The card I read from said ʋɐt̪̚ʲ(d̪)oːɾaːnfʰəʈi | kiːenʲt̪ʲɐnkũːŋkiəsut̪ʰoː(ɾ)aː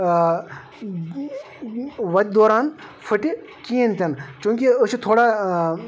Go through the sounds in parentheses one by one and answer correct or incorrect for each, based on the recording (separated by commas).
correct, incorrect